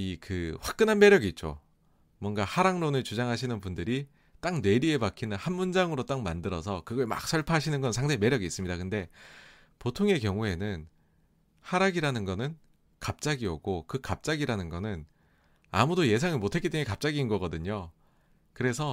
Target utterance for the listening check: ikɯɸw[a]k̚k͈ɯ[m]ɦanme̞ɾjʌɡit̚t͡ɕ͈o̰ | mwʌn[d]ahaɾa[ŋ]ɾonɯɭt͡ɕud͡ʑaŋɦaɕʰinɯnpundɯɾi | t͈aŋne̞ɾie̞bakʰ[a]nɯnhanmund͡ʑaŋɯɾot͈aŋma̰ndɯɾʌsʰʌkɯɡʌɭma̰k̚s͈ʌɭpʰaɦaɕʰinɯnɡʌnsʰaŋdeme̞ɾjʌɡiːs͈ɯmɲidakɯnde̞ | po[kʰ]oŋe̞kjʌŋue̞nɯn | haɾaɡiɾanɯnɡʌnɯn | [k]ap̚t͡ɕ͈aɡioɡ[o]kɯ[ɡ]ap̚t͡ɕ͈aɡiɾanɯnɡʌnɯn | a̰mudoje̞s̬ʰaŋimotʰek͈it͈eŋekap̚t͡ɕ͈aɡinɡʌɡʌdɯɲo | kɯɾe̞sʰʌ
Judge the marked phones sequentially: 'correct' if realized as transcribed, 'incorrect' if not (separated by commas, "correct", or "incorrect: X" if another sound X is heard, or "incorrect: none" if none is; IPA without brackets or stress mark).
correct, incorrect: n, incorrect: ɡ, correct, incorrect: i, incorrect: tʰ, correct, correct, incorrect: k